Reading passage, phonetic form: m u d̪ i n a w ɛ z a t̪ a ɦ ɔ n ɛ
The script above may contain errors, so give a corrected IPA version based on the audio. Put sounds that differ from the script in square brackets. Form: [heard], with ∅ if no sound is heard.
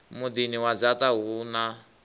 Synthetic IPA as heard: m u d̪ i n [i] w [a] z a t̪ a ɦ [u] n [a]